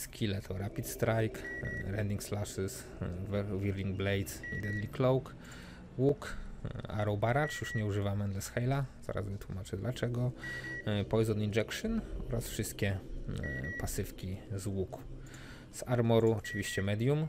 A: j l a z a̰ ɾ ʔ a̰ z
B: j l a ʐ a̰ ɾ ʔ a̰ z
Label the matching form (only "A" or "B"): A